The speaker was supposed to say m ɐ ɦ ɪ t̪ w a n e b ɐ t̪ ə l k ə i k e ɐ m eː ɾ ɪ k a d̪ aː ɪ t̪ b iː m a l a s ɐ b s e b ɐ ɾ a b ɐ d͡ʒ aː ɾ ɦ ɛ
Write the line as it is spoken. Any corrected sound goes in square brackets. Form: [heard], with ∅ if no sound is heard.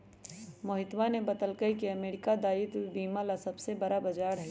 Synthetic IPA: m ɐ ɦ ɪ t̪ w a n e b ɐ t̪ ə l k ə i k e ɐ m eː ɾ ɪ k a d̪ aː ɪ t̪ b iː m a l a s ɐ b s e b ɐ ɾ a b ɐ d͡ʒ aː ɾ ɦ ɛ

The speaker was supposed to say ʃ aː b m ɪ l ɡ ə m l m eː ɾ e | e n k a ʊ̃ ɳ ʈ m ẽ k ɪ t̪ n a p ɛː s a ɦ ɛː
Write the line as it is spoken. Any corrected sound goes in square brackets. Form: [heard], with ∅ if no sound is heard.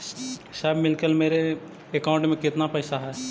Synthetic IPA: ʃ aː b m ɪ l [k] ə [∅] l m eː ɾ e | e [∅] k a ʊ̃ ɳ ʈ m ẽ k ɪ t̪ n a p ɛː s a ɦ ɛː

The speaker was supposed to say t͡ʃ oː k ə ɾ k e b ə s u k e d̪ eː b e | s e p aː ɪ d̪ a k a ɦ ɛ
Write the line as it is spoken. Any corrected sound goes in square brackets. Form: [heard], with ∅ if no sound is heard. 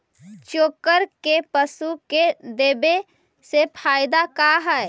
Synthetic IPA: t͡ʃ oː k ə ɾ k e [p] ə s u k e d̪ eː b e | s e [pʰ] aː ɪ d̪ a k a ɦ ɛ

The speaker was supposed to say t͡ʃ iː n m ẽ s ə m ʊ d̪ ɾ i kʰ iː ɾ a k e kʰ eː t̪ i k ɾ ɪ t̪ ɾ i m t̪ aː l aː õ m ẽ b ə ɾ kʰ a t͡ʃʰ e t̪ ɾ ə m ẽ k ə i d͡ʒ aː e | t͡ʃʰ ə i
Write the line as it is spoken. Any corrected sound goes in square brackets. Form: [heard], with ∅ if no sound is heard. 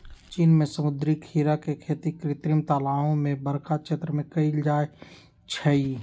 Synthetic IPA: t͡ʃ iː n m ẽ s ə m ʊ d̪ ɾ i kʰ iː ɾ a k e kʰ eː t̪ i k ɾ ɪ t̪ ɾ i m t̪ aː l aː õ m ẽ b ə ɾ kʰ a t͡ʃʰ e t̪ ɾ ə m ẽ k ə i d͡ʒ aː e | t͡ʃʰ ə i

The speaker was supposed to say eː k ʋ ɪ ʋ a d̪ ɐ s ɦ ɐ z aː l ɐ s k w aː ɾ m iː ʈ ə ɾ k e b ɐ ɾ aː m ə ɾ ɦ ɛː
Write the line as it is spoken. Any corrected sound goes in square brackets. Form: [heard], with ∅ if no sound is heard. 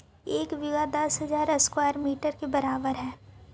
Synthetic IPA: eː k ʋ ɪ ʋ a d̪ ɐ s ɦ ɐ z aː [ɾ] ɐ s k w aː ɾ m iː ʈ ə ɾ k e b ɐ ɾ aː [b] ə ɾ ɦ ɛː

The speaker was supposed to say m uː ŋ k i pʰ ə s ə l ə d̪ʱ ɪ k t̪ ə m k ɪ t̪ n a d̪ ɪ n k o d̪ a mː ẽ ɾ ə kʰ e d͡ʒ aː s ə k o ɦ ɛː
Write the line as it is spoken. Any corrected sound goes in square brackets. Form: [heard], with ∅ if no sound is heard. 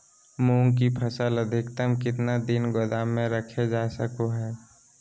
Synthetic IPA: m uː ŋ k i pʰ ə s ə l ə d̪ʱ ɪ k t̪ ə m k ɪ t̪ n a d̪ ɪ n [ɡ] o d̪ a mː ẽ ɾ ə kʰ e d͡ʒ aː s ə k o ɦ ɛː

